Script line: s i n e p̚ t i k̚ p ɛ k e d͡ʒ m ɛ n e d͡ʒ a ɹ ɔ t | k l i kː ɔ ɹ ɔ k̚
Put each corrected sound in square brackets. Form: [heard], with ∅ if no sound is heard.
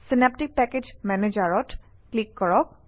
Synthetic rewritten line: s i n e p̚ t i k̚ p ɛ k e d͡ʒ m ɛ n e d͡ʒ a ɹ ɔ t | k l i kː ɔ ɹ ɔ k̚

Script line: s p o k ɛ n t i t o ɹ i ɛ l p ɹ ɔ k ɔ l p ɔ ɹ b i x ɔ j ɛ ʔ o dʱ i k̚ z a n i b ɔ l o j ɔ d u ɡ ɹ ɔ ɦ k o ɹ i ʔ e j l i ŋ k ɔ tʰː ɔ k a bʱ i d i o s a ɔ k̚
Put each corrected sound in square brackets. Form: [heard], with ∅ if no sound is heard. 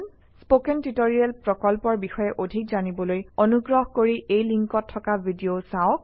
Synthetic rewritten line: s p o k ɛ n t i t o ɹ i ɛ l p ɹ ɔ k ɔ l p ɔ ɹ b i x ɔ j ɛ ʔ o dʱ i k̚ z a n i b ɔ l o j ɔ [n] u ɡ ɹ ɔ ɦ k o ɹ i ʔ e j l i ŋ k ɔ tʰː ɔ k a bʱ i d i o s a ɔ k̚

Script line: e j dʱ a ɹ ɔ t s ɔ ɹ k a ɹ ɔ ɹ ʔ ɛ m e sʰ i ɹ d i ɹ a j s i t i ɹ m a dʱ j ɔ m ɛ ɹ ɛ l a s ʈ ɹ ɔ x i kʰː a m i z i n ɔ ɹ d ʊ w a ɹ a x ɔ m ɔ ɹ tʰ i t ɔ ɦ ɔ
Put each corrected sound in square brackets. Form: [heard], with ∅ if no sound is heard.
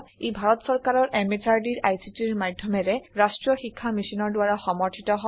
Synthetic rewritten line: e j [bʱ] a ɹ ɔ t s ɔ ɹ k a ɹ ɔ ɹ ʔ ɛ m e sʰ [a] ɹ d i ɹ a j s i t i ɹ m a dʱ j ɔ m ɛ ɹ ɛ [ɹ] a s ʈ ɹ ɔ x i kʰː a m i [s] i n ɔ ɹ d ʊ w a ɹ a x ɔ m ɔ ɹ tʰ i t ɔ ɦ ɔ

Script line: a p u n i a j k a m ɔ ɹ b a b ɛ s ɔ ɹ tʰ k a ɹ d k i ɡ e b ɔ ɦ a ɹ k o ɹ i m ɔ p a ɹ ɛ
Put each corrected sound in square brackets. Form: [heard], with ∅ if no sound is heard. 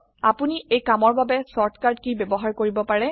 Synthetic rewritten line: a p u n i [e] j k a m ɔ ɹ b a b ɛ s ɔ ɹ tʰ k a ɹ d k i [b] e b ɔ ɦ a ɹ k o ɹ i [b] ɔ p a ɹ ɛ

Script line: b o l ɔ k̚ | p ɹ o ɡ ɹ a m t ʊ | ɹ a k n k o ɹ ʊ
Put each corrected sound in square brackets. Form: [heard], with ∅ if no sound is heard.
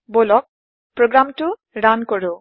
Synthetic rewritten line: b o l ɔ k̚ | p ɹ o ɡ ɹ a m t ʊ | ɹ a [∅] n k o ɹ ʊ

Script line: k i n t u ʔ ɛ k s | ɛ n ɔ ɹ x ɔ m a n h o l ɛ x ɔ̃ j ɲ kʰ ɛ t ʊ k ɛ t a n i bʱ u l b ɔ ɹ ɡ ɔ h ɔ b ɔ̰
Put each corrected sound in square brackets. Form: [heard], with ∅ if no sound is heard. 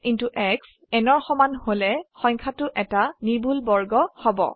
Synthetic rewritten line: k i n t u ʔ ɛ k s | ɛ n ɔ ɹ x ɔ m a n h o l ɛ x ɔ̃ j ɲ kʰ [a] t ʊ [ʔ] ɛ t a n i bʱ u l b ɔ ɹ ɡ ɔ h ɔ b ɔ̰

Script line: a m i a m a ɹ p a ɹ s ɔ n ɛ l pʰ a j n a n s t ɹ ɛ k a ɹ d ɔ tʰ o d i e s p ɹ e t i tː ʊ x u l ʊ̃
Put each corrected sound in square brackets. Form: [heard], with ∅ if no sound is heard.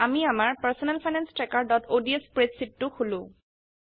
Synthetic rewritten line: a m i a m a ɹ p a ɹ s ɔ n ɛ l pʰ a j n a n s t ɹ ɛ k a ɹ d ɔ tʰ o d i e s p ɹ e [s] i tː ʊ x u l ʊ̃

